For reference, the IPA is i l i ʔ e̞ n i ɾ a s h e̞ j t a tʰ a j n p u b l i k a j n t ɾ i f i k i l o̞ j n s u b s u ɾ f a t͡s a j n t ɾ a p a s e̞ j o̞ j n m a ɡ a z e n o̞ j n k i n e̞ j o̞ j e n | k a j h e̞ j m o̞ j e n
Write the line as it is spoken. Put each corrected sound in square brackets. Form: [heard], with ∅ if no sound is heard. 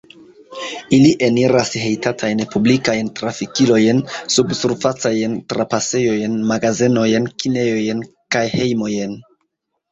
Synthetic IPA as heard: i l i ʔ e̞ n i ɾ a s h e̞ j t a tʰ a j n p u b l i k a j n t ɾ [a] f i k i l o̞ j n s u b s u ɾ f a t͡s a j n t ɾ a p a s e̞ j o̞ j n m a ɡ a z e n o̞ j n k i n e̞ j o̞ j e n | k a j h e̞ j m o̞ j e n